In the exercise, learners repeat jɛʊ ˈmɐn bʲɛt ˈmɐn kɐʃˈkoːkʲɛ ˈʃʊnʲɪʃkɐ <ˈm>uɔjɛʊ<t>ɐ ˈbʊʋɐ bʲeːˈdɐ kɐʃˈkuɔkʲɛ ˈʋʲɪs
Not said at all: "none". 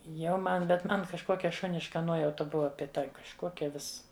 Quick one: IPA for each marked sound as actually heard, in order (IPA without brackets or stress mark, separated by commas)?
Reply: n, t